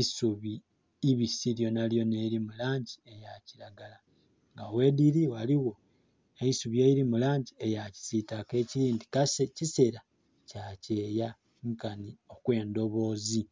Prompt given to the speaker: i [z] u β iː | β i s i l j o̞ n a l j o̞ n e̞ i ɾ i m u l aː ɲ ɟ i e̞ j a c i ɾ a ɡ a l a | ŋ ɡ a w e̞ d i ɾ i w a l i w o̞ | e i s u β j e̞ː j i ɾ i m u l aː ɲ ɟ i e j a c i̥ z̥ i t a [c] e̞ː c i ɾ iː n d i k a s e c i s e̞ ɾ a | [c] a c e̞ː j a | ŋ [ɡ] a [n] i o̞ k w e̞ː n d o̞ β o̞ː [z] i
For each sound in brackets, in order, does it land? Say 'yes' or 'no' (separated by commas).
no, no, yes, no, yes, yes